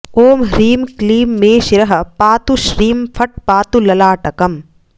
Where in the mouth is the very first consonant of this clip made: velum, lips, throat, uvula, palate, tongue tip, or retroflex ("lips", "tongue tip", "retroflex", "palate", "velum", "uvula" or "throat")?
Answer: lips